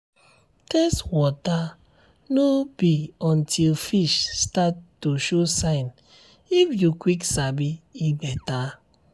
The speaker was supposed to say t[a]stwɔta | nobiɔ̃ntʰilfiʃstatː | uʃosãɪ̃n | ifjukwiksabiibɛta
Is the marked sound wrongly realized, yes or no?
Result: yes